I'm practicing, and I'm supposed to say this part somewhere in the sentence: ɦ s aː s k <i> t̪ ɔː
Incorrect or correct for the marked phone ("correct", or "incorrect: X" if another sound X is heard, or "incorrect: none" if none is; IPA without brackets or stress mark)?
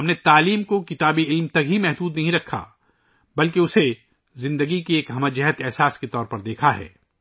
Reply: incorrect: e